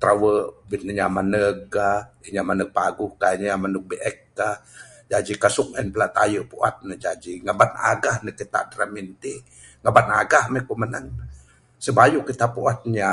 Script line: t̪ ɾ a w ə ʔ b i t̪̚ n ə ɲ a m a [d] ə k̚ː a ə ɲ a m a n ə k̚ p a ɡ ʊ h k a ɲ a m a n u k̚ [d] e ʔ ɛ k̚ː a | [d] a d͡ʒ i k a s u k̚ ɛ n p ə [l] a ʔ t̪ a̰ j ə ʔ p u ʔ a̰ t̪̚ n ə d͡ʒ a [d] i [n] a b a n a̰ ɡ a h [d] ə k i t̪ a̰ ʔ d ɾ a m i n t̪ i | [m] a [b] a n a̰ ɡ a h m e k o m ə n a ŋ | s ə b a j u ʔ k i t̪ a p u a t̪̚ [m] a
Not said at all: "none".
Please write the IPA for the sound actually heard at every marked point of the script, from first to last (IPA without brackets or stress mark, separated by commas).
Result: n, b, d͡ʒ, l, d͡ʒ, ŋ, n, ŋ, b, ɲ